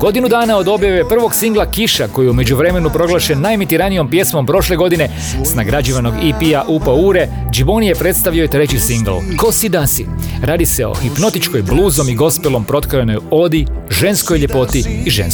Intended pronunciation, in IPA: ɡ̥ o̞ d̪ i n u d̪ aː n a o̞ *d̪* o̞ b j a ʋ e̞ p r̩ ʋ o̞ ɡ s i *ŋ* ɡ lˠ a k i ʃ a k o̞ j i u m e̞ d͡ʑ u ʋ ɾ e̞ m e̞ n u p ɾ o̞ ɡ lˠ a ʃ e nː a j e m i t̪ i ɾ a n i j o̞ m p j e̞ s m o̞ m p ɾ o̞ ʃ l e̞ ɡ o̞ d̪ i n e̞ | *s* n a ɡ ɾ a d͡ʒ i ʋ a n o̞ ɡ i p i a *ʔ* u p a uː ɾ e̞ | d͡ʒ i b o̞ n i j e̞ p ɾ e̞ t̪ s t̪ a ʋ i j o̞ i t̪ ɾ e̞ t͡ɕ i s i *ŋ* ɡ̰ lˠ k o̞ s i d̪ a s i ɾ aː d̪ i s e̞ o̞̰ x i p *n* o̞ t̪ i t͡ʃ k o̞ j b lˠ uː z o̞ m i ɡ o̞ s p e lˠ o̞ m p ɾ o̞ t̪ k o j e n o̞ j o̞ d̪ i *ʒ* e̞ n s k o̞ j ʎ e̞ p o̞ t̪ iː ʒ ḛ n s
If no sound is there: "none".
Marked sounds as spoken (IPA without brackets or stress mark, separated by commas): d̪, ŋ, s, ʔ, ŋ, n, ʒ